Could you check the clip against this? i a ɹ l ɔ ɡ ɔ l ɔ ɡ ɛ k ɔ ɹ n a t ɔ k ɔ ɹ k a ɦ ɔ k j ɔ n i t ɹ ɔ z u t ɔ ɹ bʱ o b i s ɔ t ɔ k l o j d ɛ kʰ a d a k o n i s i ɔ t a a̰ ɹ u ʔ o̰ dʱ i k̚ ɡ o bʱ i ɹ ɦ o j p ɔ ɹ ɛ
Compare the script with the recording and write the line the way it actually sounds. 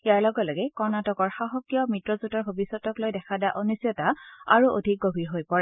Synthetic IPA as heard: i a ɹ l ɔ ɡ ɔ l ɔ ɡ ɛ k ɔ ɹ n a t ɔ k ɔ ɹ x a ɦ ɔ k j ɔ m i t ɹ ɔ z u t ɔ ɹ bʱ o b i s ɔ t ɔ k l o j d ɛ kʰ a d a ʔ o n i s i ɔ t a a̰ ɹ u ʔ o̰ dʱ i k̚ ɡ o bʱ i ɹ ɦ o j p ɔ ɹ ɛ

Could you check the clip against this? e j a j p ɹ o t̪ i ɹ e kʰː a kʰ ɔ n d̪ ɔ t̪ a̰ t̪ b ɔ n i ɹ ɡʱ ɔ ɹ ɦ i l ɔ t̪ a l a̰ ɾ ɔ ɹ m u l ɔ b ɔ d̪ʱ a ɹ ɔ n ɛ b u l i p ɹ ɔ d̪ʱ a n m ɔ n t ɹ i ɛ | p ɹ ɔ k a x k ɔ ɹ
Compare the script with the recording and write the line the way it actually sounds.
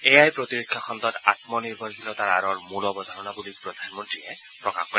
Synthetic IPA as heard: e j a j p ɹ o t̪ i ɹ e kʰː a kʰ ɔ n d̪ ɔ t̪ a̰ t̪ m ɔ n i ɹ bʱ ɔ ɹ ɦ i l ɔ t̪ a ɹ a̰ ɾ ɔ ɹ m u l ɔ b ɔ d̪ʱ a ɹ ɔ n a b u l i p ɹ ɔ d̪ʱ a n m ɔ n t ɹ i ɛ | p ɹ ɔ k a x k ɔ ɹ

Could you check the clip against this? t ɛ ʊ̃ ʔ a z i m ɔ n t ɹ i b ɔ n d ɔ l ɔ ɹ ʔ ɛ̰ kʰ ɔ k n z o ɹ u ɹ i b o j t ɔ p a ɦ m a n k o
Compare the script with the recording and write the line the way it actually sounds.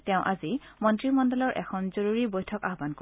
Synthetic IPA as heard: t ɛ ʊ̃ ʔ a z i m ɔ n t ɹ i m ɔ n d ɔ l ɔ ɹ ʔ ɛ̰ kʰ ɔ n z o ɹ u ɹ i b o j tʰ ɔ k a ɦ b a n k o

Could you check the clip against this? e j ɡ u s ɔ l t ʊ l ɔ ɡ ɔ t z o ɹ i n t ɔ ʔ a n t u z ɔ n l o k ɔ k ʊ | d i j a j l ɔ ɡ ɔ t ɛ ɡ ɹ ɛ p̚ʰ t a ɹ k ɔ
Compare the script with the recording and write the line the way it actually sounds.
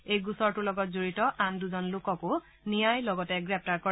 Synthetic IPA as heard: e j ɡ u s ɔ ɹ t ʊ l ɔ ɡ ɔ t z o ɹ i t ɔ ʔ a n d u z ɔ n l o k ɔ k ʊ | n i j a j l ɔ ɡ ɔ t ɛ ɡ ɹ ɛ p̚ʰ t a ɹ k ɔ

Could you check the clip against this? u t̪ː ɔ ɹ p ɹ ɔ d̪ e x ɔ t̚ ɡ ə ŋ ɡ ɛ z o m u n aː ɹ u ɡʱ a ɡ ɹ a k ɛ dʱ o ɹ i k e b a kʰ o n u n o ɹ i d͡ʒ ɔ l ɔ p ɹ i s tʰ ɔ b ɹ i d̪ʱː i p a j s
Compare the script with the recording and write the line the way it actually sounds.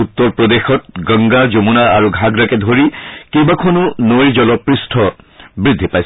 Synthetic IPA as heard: u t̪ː ɔ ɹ p ɹ ɔ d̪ e x ɔ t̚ ɡ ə ŋ ɡ a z o m u n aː ɹ u ɡʱ a ɡ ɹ a k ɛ dʱ o ɹ i k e b a kʰ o n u n o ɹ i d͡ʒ ɔ l ɔ p ɹ i s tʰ ɔ b ɹ i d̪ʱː i p a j s

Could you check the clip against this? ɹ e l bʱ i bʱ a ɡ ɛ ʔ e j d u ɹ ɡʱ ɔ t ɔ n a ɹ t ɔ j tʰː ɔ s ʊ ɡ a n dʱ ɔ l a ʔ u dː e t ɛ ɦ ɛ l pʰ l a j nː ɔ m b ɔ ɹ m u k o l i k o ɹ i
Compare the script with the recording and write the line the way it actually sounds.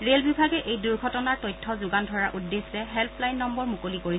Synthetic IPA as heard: ɹ e l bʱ i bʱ a ɡ ɛ ʔ e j d u ɹ ɡʱ ɔ t ɔ n a ɹ t ɔ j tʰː ɔ z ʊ ɡ a n dʱ ɔ ɹ a ʔ u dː e s ɛ ɦ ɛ l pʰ l a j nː ɔ m b ɔ ɹ m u k o l i k o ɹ i

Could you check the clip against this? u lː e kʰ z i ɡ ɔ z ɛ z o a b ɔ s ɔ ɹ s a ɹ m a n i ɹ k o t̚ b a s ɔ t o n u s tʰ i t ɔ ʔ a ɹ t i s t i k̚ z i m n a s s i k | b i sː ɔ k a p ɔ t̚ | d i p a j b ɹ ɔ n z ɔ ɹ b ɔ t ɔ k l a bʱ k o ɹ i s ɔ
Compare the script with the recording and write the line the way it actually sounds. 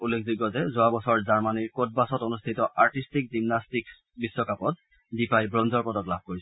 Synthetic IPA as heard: u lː e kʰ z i ɡ ɔ z ɛ z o a b ɔ s ɔ ɹ z a ɹ m a n i ɹ k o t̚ b a s ɔ t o n u s tʰ i t ɔ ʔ a ɹ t i s t i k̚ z i m n a s t i k | b i sː ɔ k a p ɔ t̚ | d i p a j b ɹ ɔ n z ɔ ɹ p ɔ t ɔ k l a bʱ k o ɹ i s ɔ

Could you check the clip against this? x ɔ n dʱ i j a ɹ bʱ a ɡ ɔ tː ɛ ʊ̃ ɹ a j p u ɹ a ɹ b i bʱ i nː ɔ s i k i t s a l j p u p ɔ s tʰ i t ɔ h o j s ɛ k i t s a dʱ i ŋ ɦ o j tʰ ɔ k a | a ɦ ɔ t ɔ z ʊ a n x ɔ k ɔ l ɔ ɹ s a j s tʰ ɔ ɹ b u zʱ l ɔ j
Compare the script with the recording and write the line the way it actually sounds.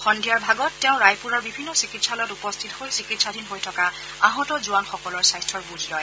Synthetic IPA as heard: x ɔ n dʱ i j a ɹ bʱ a ɡ ɔ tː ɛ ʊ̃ ɹ a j p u ɹ a ɹ b i bʱ i nː ɔ s i k i t s a l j t u p ɔ s tʰ i t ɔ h o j s i k i t s a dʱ i n ɦ o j tʰ ɔ k a | a ɦ ɔ t ɔ z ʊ a n x ɔ k ɔ l ɔ ɹ s a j s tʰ ɔ ɹ b u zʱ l ɔ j

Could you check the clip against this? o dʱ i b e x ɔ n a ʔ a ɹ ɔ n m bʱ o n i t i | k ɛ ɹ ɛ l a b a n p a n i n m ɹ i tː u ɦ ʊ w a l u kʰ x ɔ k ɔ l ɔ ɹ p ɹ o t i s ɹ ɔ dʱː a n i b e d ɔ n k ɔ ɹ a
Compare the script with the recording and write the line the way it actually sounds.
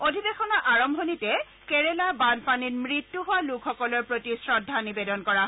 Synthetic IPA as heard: o dʱ i b e x ɔ n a ʔ a ɹ ɔ m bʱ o n i t ɛ | k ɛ ɹ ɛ l a b a n p a n i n m ɹ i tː u ɦ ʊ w a l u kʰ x ɔ k ɔ l ɔ ɹ p ɹ o t i s ɹ ɔ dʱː a n i b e d ɔ n k ɔ ɹ a

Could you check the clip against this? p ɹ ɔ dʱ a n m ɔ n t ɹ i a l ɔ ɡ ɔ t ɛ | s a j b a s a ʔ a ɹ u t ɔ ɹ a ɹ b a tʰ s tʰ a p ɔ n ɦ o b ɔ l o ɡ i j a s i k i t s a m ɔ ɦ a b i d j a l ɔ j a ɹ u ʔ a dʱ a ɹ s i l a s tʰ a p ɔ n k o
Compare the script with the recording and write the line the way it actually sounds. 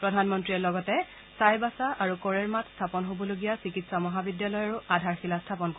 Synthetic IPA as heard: p ɹ ɔ dʱ a n m ɔ n t ɹ i ɛ l ɔ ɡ ɔ t ɛ | s a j b a s a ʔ a ɹ u k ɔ ɹ ɛ ɹ m a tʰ s tʰ a p ɔ n ɦ o b ɔ l o ɡ i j a s i k i t s a m ɔ ɦ a b i d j a l ɔ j a ɹ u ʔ a dʱ a ɹ x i l a s tʰ a p ɔ n k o

